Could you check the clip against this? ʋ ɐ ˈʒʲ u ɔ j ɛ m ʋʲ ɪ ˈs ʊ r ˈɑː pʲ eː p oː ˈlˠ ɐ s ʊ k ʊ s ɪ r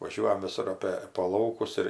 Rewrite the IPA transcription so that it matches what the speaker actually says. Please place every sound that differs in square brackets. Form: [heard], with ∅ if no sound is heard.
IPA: ʋ ɐ ˈʒʲ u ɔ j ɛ m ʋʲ ɪ ˈs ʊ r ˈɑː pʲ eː p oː ˈlˠ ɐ [∅] ʊ k ʊ s ɪ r